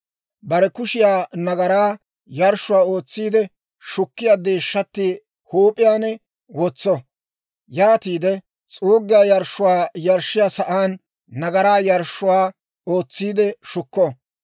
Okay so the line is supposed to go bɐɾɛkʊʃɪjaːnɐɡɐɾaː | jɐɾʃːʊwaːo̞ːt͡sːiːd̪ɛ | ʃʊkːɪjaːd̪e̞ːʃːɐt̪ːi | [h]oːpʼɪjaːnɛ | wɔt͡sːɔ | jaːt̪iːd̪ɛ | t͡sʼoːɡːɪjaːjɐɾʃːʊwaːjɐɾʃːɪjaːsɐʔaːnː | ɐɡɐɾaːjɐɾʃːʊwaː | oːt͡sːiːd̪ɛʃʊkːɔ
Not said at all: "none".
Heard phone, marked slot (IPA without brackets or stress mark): h